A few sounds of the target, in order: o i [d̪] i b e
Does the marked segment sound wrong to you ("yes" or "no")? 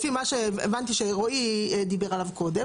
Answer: no